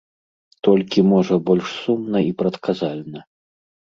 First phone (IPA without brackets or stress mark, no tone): t̪